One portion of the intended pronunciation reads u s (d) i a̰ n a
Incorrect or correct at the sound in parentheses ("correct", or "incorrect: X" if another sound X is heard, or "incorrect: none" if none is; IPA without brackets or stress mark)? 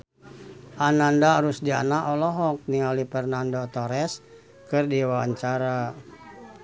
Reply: correct